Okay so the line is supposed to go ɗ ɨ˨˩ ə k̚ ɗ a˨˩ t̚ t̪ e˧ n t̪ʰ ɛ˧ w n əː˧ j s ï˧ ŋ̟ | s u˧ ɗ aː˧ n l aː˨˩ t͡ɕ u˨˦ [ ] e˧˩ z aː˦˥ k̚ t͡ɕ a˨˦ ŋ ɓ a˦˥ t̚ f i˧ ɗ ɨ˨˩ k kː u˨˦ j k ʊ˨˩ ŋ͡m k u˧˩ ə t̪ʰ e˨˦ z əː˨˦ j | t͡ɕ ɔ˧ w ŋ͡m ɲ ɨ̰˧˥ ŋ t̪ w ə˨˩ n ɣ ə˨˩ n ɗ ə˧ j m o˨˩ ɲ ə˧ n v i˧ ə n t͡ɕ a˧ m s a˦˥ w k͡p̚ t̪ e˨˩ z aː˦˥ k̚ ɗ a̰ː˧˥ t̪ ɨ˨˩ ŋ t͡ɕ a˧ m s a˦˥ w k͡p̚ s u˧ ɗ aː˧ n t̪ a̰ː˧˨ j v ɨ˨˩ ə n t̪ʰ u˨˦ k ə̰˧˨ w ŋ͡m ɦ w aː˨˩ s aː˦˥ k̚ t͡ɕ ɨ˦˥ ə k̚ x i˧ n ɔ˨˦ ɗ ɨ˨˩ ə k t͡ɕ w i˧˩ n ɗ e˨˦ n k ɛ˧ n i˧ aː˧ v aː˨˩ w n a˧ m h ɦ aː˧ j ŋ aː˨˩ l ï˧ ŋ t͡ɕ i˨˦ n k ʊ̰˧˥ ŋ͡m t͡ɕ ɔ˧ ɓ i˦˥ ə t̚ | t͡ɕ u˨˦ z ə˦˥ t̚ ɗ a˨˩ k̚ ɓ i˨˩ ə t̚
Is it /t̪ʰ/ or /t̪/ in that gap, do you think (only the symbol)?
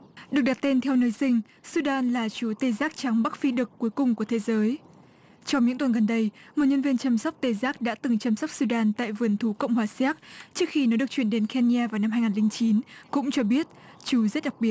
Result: t̪